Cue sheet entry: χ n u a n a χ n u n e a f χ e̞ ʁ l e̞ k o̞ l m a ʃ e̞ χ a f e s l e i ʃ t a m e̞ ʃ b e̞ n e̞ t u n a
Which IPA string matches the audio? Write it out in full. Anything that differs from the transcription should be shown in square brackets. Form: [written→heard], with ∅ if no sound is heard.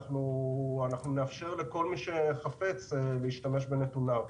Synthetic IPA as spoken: χ n u a n a χ n u n e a f [χ→ʃ] e̞ ʁ l e̞ k o̞ l m [a→i] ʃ e̞ χ a f e [s→t͡s] l e i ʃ t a m e̞ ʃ b e̞ n e̞ t u n a